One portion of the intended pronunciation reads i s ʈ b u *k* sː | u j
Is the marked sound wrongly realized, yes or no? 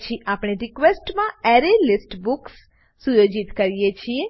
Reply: no